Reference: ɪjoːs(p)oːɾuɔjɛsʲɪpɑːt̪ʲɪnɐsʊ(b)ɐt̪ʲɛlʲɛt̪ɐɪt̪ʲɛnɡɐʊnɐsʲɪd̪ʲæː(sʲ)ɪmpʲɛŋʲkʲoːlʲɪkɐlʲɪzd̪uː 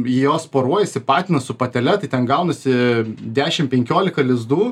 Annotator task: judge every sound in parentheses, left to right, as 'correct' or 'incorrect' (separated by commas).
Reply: correct, incorrect, incorrect